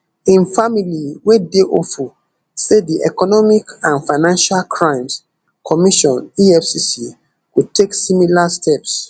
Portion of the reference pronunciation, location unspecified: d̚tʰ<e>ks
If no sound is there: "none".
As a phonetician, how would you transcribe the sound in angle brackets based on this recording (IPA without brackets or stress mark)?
e